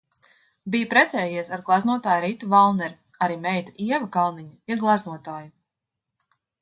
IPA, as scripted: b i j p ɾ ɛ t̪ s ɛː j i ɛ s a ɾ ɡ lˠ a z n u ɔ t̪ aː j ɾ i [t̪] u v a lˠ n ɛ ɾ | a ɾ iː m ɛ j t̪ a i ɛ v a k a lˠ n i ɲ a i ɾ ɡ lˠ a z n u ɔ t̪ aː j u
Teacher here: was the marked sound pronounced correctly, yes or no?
yes